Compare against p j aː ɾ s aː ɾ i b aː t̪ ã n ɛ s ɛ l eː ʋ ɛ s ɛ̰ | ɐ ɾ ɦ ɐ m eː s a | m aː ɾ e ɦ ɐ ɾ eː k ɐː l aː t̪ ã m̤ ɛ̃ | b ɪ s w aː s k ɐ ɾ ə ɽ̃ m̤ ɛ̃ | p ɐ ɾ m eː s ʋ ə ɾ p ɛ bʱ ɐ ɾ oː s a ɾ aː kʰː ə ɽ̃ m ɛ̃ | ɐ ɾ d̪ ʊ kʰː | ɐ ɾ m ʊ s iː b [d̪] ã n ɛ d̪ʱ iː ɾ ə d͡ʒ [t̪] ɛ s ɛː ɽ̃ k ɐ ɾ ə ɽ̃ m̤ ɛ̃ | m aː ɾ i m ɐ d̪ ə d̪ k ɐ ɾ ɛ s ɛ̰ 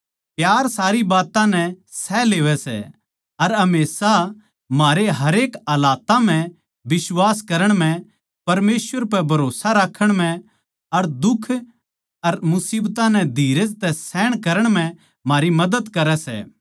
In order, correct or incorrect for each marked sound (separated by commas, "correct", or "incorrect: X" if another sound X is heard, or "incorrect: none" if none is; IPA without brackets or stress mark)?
incorrect: t̪, correct